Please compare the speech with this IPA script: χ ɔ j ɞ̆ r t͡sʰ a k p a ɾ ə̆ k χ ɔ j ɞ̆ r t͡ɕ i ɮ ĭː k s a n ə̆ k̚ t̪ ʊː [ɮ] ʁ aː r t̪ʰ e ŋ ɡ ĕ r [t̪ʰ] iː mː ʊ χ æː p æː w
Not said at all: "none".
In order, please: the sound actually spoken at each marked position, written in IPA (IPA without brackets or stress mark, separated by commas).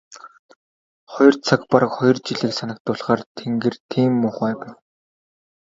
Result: ɮ, t̪ʰ